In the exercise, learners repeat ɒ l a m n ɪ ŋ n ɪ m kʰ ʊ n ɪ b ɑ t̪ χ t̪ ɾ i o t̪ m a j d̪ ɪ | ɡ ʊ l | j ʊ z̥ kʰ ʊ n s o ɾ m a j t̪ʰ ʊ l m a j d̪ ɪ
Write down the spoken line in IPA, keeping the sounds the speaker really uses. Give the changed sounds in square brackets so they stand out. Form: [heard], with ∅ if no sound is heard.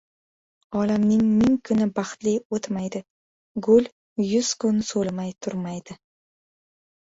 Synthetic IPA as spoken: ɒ l a m n ɪ ŋ [m] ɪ [ŋ] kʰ ʊ n ɪ b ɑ [∅] χ t̪ [l] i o t̪ m a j d̪ ɪ | ɡ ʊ l | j ʊ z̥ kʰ ʊ n s o [l] m a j t̪ʰ ʊ [ɾ] m a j d̪ ɪ